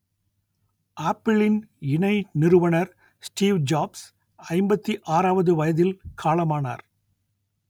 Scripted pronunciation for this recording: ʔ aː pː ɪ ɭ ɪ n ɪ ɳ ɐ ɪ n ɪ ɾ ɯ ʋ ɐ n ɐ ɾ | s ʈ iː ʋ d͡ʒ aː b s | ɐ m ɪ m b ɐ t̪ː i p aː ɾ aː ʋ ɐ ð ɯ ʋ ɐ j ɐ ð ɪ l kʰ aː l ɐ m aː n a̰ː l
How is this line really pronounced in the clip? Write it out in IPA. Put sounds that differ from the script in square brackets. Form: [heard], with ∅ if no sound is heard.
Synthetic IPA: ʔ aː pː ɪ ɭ ɪ n ɪ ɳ ɐ ɪ n ɪ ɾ ɯ ʋ ɐ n ɐ ɾ | s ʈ iː ʋ d͡ʒ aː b s | ɐ [∅] ɪ m b ɐ t̪ː i [ʔ] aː ɾ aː ʋ ɐ ð ɯ ʋ ɐ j ɐ ð ɪ l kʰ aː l ɐ m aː n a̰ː [ɾ]